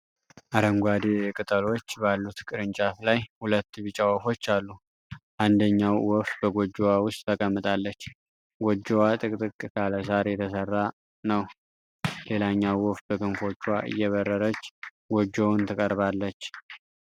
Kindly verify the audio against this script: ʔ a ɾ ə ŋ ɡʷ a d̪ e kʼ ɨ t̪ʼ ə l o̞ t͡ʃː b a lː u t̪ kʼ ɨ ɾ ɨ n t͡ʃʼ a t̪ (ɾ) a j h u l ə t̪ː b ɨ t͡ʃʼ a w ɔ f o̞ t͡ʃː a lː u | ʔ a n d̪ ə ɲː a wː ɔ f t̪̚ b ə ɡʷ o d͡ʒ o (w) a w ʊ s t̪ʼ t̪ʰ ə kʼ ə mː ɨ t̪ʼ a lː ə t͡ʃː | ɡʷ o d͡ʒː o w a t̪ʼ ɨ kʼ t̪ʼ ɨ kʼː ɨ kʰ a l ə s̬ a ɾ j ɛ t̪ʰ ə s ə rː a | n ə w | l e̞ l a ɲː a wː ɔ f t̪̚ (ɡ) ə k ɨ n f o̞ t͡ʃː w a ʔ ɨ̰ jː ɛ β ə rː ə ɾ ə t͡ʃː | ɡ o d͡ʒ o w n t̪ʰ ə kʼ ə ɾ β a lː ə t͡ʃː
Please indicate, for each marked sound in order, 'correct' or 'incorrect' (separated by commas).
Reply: incorrect, correct, incorrect